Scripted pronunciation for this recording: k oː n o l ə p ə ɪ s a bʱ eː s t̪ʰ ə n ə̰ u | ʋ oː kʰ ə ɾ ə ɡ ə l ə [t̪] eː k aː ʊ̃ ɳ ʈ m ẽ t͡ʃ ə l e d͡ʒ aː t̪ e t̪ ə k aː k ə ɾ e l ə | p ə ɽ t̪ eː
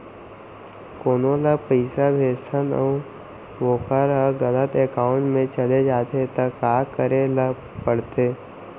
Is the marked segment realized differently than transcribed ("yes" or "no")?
no